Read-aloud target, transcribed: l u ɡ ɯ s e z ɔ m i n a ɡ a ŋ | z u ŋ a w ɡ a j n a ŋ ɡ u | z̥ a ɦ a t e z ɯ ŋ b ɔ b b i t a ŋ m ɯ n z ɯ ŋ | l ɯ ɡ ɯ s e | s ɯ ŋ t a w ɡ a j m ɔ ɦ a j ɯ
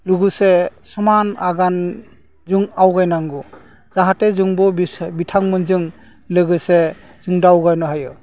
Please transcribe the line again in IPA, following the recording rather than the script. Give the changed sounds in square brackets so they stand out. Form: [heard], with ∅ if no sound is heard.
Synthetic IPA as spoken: l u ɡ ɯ s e [s] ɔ m [a] n a ɡ a [n] | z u ŋ a w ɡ a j n a ŋ ɡ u | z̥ a ɦ a t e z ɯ ŋ b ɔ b b i [tʰ] a ŋ m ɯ n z ɯ ŋ | l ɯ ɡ ɯ s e | [z] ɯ ŋ [d] a w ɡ a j [n] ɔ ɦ a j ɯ